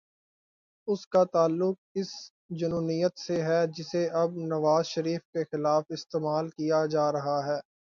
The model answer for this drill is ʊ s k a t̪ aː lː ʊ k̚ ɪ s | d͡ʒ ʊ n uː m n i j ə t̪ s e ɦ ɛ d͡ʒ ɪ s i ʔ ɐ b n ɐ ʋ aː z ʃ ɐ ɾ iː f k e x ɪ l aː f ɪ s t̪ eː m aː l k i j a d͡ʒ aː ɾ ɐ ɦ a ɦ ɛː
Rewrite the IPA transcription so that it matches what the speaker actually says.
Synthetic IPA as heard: ʊ s k a t̪ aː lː ʊ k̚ ɪ s | d͡ʒ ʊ n uː n i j ə t̪ s e ɦ ɛ d͡ʒ ɪ s e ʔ ɐ b n ɐ ʋ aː z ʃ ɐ ɾ iː f k e x ɪ l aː f ɪ s t̪ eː m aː l k i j a d͡ʒ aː ɾ ɐ ɦ a ɦ ɛː